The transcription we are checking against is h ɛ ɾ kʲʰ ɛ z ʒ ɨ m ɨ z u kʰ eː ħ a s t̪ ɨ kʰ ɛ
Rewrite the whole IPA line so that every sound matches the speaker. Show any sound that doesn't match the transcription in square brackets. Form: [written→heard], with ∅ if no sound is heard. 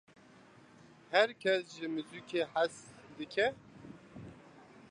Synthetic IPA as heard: h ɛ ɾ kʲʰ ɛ [z→s] ʒ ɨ m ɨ z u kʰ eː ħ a s [t̪→d̪] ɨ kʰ ɛ

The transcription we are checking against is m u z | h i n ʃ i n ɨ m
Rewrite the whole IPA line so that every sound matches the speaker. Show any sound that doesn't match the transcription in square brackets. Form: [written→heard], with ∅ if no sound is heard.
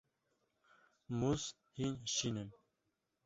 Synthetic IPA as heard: m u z | h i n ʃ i n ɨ m

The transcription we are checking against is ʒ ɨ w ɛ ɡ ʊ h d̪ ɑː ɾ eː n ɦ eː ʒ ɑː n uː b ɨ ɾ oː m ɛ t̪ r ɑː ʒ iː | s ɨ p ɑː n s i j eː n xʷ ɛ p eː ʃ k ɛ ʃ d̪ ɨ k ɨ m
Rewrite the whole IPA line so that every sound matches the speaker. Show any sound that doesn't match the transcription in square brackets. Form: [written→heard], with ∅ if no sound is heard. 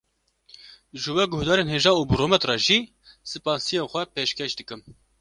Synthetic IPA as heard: ʒ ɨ w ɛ ɡ ʊ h d̪ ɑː ɾ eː n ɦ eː ʒ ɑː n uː b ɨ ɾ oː m ɛ t̪ r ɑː ʒ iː | s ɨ p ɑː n s i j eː n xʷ ɛ p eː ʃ k ɛ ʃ d̪ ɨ k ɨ m

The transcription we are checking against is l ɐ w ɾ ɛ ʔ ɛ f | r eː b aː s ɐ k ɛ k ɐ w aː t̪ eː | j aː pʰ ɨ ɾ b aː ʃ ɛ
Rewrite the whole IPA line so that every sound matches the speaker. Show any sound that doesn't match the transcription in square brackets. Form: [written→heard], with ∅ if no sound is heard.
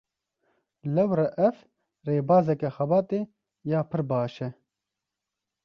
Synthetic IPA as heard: l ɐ w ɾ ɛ ʔ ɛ f | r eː b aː [s→z] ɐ k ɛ [k→x] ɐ [w→b] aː t̪ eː | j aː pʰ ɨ ɾ b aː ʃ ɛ

